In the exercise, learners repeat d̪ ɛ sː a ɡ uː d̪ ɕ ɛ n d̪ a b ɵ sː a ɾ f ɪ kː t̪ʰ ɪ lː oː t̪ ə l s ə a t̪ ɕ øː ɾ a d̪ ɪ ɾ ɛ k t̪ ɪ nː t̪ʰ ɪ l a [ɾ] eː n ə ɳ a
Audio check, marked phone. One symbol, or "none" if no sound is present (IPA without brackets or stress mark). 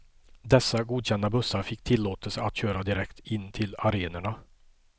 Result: ɾ